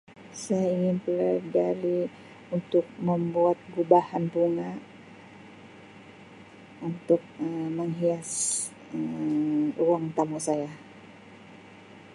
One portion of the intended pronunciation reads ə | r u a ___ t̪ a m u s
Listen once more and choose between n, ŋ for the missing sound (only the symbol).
ŋ